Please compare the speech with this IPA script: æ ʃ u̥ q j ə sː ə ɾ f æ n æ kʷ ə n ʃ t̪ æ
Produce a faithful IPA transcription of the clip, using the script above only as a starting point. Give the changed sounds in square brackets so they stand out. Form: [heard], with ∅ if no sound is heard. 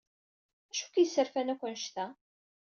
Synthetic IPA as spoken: æ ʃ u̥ [k] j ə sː ə ɾ f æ n æ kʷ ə n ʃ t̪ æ